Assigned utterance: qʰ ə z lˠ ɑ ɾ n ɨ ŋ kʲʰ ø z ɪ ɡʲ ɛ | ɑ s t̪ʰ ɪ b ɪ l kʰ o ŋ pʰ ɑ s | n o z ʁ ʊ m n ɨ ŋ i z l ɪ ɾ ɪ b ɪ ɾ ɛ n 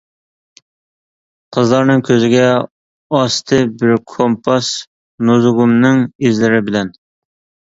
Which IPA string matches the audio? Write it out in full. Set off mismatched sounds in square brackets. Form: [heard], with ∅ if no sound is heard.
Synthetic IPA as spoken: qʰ ə z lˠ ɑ ɾ n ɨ ŋ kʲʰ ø z ɪ ɡʲ ɛ | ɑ s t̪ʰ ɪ b ɪ [ɾ] kʰ o [m] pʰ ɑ s | n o z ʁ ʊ m n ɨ ŋ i z l ɪ ɾ ɪ b ɪ [l] ɛ n